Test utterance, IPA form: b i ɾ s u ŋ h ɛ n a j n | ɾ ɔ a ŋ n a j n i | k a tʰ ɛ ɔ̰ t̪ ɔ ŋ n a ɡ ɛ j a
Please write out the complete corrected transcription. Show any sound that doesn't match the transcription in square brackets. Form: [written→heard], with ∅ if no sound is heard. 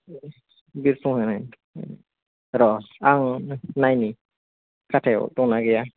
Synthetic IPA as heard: b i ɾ s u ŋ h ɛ n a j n | ɾ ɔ a ŋ n a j n i | k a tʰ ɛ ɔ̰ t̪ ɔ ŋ n a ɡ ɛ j a